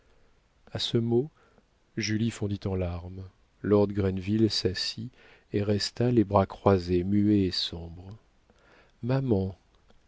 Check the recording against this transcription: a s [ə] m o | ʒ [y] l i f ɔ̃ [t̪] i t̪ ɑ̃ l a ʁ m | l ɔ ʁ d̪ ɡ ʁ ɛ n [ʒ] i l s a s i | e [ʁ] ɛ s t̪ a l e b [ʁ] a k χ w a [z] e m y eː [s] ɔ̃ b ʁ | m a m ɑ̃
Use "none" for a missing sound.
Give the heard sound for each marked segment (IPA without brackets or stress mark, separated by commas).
ə, y, d̪, v, ʁ, ʁ, z, s